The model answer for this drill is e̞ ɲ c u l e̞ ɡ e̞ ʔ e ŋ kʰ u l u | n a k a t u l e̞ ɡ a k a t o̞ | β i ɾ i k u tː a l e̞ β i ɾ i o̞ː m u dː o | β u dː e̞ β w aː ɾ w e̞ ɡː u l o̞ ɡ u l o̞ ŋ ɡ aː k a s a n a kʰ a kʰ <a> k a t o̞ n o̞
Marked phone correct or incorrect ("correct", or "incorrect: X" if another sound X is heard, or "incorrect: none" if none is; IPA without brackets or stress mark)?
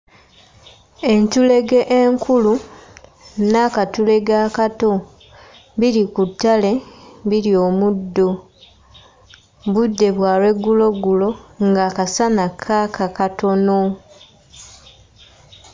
correct